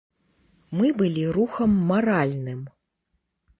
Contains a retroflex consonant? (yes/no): no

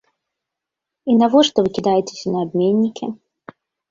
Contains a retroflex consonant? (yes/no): yes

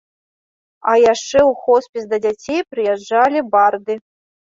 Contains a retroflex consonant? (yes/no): yes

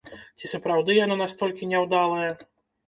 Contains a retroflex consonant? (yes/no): no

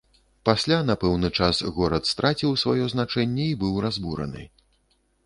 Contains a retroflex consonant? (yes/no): yes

